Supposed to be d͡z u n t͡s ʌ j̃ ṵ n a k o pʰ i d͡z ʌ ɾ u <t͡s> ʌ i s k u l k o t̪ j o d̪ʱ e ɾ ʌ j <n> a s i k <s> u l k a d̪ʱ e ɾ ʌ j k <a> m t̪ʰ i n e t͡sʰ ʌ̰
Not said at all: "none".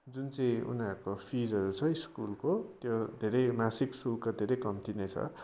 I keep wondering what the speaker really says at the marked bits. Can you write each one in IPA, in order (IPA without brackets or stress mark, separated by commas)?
t͡sʰ, m, s, ʌ